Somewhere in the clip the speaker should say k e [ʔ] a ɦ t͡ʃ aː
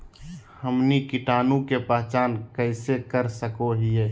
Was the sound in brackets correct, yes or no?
no